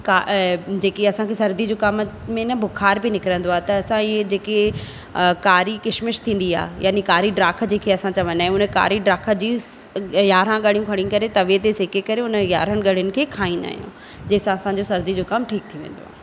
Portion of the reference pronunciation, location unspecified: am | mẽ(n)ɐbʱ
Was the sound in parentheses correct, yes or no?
yes